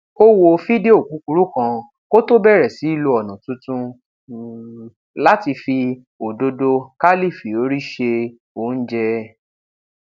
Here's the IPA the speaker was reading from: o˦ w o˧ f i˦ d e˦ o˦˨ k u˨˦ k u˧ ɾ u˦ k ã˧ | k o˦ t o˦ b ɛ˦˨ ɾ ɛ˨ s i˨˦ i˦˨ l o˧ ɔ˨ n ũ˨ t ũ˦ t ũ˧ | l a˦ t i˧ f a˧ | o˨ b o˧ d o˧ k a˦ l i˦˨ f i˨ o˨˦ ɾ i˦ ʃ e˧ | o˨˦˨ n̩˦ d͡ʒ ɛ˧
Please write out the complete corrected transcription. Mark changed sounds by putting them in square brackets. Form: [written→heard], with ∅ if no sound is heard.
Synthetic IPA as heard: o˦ w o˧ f i˦ d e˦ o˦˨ k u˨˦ k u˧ ɾ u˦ k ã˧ | k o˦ t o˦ b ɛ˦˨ ɾ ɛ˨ s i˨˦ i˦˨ l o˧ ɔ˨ n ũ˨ t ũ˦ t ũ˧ | l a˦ t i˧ f [a˧→i˧] | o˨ [b→d] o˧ d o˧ k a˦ l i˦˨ f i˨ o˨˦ ɾ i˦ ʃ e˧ | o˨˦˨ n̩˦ d͡ʒ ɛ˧